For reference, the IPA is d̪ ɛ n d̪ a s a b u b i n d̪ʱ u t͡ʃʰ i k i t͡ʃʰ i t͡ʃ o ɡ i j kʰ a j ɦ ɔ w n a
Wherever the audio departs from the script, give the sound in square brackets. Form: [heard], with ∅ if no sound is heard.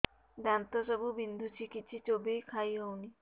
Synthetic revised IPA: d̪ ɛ n [t̪] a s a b u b i n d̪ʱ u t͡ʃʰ i k i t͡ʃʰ i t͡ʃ o [b] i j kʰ a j ɦ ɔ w n [i]